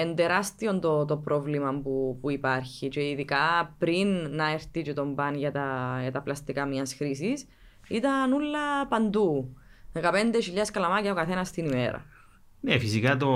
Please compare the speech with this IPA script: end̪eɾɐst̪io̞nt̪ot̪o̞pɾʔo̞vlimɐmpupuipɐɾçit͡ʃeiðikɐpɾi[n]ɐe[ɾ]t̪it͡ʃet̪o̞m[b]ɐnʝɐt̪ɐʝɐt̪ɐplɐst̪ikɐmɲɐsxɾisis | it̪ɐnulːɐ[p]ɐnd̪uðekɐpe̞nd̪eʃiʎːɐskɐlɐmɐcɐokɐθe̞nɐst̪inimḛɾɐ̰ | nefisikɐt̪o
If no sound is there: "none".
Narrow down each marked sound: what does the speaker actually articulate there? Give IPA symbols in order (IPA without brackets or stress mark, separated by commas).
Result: nː, ɾ, b, p